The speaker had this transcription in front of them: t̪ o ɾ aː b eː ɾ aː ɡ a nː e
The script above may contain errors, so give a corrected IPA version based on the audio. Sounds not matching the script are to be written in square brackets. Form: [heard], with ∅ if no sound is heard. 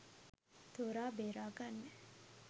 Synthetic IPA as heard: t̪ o ɾ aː b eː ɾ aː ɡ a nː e